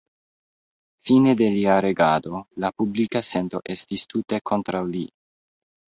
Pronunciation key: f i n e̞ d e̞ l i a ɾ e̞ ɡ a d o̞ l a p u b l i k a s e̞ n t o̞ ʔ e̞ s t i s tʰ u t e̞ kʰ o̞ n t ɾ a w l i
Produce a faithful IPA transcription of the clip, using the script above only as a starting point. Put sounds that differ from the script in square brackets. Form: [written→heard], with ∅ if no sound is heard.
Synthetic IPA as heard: f i n e̞ d e̞ l i a ɾ e̞ ɡ a d o̞ l a p u b l i k a s e̞ n t o̞ ʔ e̞ s t i s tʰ u t e̞ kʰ o̞ n t ɾ a w l i